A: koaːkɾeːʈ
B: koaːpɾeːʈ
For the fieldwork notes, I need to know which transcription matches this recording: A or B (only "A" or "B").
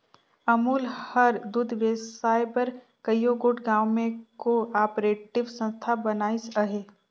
B